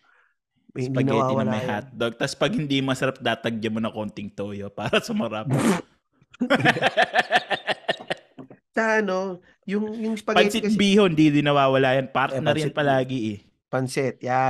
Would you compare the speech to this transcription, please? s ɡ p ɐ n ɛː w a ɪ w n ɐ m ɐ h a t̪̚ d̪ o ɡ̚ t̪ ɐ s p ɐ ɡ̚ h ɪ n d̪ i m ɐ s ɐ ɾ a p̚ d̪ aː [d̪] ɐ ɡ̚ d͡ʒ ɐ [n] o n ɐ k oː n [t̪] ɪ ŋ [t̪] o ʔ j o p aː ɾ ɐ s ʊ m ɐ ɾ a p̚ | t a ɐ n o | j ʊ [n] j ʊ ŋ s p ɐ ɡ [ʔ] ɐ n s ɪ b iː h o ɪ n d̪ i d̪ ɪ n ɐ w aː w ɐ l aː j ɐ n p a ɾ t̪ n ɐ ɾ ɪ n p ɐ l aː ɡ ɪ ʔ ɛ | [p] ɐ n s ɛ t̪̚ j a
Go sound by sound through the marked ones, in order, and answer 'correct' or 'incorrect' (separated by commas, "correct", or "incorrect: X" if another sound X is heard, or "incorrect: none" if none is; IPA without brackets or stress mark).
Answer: incorrect: t̪, incorrect: m, correct, correct, incorrect: ŋ, incorrect: p, correct